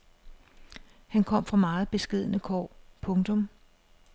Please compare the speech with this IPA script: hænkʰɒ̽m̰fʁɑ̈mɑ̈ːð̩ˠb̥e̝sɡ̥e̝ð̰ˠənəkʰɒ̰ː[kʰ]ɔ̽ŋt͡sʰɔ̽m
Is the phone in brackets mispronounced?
yes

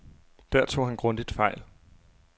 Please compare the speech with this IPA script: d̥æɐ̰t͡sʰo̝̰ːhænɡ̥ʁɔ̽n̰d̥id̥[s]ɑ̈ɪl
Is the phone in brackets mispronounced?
yes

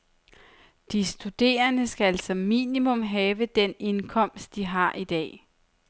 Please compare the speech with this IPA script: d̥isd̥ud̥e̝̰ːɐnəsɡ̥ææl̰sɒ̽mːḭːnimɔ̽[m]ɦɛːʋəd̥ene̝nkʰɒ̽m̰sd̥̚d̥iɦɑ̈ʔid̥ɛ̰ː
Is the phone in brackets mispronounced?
no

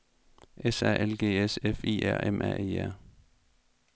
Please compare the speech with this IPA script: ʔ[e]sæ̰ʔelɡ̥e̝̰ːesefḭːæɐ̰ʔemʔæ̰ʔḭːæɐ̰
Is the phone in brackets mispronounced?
no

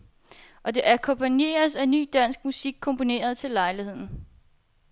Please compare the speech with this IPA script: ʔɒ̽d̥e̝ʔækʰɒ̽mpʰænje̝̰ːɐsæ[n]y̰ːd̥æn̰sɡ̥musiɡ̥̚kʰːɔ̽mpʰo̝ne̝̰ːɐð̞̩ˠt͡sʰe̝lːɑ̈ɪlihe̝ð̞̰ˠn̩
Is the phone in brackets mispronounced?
no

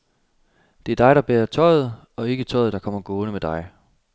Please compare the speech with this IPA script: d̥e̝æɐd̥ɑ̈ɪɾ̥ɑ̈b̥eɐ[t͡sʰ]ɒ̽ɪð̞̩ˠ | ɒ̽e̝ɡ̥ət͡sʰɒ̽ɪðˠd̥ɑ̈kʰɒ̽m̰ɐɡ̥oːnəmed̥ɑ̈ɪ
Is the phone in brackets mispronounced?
no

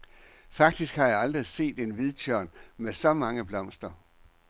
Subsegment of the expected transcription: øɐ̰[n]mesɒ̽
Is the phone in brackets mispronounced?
no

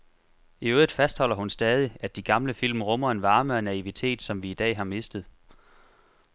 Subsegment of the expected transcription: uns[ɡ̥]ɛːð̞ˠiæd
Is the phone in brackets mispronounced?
yes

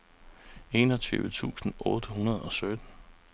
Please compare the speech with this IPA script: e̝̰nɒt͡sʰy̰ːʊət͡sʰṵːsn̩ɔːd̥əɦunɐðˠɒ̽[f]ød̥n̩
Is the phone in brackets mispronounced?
yes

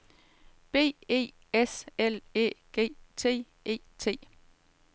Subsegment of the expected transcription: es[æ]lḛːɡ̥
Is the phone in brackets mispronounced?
yes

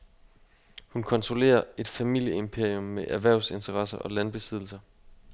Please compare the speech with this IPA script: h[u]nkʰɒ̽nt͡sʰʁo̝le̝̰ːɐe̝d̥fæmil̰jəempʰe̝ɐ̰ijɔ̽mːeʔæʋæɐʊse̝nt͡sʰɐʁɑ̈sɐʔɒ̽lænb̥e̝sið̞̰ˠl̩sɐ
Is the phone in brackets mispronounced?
no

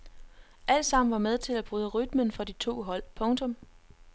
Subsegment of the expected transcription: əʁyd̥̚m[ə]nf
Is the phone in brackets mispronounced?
no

